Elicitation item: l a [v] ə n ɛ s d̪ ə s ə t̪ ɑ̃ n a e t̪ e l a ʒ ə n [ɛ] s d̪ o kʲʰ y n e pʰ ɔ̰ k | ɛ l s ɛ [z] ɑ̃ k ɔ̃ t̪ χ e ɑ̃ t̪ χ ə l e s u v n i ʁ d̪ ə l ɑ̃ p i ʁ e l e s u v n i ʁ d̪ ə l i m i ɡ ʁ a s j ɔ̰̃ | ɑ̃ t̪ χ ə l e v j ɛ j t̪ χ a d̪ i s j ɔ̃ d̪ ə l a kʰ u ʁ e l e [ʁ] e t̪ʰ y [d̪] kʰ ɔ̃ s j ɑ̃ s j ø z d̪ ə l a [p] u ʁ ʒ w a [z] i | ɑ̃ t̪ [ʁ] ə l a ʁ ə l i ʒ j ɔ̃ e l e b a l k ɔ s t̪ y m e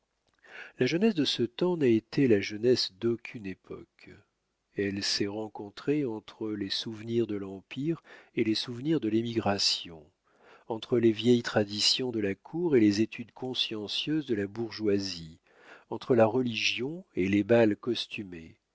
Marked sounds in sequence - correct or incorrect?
incorrect, correct, incorrect, incorrect, correct, incorrect, correct, incorrect

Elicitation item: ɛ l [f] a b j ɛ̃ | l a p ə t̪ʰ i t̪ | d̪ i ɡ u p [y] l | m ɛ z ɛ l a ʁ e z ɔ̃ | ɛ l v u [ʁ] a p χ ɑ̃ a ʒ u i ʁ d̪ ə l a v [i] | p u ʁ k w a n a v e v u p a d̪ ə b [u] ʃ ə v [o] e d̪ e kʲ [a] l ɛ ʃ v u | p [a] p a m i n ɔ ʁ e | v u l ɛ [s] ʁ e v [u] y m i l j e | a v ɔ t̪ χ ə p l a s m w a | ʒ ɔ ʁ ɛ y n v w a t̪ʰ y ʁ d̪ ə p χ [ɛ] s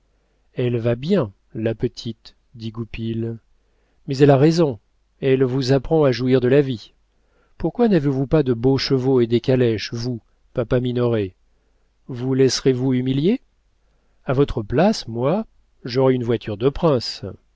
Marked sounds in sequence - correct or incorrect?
incorrect, incorrect, incorrect, correct, incorrect, correct, correct, correct, correct, correct, incorrect

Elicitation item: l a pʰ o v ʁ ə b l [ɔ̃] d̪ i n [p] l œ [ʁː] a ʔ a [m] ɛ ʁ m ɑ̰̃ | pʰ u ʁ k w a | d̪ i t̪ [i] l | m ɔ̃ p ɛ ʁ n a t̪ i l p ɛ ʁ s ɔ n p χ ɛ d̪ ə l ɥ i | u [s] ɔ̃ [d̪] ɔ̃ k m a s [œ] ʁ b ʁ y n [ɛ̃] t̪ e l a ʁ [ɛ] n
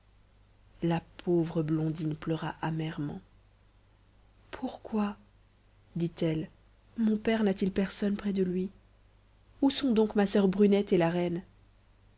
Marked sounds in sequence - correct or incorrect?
correct, correct, incorrect, correct, incorrect, correct, correct, correct, incorrect, correct

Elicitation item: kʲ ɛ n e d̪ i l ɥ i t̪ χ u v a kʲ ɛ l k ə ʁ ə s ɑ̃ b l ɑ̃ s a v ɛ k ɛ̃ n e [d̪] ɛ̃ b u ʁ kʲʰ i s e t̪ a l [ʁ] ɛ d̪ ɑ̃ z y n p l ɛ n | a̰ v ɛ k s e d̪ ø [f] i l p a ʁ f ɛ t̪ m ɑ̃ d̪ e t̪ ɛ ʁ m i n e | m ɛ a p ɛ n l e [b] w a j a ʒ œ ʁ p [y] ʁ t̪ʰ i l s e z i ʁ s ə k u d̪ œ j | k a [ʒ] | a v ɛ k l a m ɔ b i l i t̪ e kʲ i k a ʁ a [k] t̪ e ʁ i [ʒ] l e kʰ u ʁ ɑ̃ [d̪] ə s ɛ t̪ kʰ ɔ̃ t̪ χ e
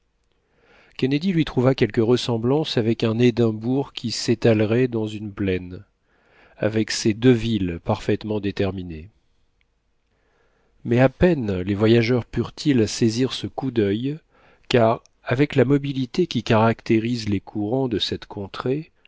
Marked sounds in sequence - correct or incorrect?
correct, correct, incorrect, incorrect, correct, incorrect, correct, incorrect, correct

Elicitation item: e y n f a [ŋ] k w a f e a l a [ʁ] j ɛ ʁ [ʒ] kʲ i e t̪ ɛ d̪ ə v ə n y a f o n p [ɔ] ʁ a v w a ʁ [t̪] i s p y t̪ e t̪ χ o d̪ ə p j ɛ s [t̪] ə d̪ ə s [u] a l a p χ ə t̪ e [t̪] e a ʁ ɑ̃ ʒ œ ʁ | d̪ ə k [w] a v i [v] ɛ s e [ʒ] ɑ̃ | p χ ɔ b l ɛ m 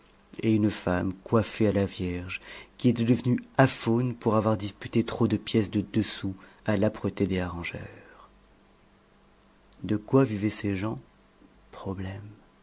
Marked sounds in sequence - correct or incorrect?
incorrect, incorrect, correct, incorrect, incorrect, incorrect, correct, incorrect, correct, correct, correct

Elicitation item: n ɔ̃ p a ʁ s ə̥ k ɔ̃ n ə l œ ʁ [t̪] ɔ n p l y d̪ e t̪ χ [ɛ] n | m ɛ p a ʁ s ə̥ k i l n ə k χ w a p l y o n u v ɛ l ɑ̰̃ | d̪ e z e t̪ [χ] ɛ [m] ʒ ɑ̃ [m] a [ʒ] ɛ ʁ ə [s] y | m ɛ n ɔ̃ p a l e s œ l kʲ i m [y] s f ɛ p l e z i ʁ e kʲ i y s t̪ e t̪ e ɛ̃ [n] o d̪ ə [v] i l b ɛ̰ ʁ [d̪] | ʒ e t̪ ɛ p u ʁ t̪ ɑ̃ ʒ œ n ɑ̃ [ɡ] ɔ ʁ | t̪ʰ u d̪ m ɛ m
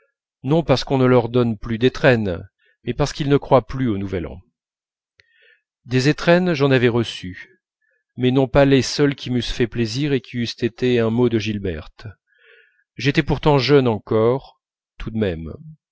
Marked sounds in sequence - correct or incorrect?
incorrect, correct, correct, incorrect, incorrect, incorrect, correct, correct, incorrect, incorrect, incorrect, incorrect

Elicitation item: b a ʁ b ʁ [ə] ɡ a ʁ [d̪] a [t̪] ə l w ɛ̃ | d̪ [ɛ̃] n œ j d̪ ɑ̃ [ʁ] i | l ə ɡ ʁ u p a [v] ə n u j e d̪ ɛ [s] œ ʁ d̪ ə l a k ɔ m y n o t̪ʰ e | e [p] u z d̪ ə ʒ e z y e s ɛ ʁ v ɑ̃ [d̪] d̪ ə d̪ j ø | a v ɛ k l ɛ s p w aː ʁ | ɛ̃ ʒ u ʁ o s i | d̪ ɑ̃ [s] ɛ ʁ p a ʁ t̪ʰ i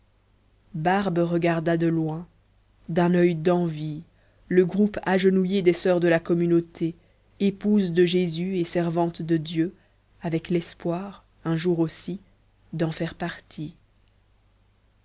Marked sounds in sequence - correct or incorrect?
correct, correct, incorrect, correct, incorrect, incorrect, correct, correct, incorrect, incorrect

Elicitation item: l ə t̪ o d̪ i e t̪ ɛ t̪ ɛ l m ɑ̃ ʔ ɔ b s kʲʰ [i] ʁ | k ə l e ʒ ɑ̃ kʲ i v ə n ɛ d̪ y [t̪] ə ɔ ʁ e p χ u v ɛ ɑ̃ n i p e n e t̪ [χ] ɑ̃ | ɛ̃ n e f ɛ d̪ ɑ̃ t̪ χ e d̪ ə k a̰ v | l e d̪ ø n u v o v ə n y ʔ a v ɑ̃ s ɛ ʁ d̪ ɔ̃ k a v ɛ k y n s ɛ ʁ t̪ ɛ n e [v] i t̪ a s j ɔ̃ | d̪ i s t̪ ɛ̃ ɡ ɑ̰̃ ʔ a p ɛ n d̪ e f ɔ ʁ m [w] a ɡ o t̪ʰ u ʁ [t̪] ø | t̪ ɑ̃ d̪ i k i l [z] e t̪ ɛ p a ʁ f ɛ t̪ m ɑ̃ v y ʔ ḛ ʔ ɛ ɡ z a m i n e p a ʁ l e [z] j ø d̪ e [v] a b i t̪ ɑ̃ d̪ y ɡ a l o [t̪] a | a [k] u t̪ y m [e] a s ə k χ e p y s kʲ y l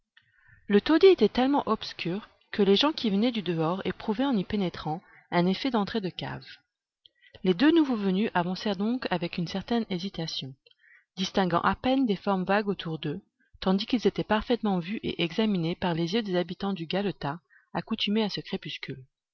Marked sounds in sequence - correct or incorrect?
incorrect, incorrect, correct, incorrect, incorrect, incorrect, correct, correct, incorrect, correct, correct, correct

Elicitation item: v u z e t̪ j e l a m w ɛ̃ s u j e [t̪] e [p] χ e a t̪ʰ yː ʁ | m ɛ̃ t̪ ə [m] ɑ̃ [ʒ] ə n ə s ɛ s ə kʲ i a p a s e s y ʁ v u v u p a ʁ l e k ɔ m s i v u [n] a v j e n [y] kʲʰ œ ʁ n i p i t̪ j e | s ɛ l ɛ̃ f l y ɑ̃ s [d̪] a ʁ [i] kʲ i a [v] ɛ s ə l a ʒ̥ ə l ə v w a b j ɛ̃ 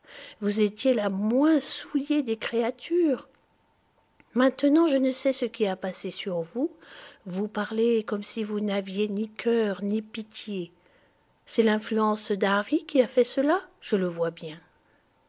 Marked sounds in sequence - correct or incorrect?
incorrect, incorrect, incorrect, correct, correct, incorrect, correct, correct, incorrect

